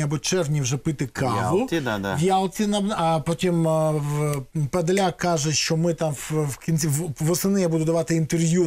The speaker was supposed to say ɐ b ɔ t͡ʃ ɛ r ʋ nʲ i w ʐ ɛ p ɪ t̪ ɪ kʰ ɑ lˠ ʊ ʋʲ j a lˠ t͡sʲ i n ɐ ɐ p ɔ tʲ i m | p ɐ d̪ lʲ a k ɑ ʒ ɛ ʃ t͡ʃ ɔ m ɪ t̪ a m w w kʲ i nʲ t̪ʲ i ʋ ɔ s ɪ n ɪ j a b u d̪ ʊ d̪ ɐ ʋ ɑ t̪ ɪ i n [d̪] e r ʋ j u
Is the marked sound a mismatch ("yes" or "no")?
yes